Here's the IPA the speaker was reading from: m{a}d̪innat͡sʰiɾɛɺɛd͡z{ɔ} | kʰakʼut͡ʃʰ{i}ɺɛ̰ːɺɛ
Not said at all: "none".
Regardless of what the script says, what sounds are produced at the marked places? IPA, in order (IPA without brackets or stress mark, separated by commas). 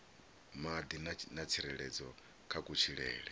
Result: a, ɔ, i